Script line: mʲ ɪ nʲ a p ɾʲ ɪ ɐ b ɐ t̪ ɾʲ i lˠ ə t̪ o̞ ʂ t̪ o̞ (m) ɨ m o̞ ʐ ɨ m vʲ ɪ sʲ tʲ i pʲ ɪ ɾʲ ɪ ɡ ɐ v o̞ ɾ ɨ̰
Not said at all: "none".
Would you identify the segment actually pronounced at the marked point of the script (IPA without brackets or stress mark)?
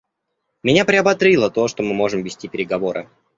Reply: m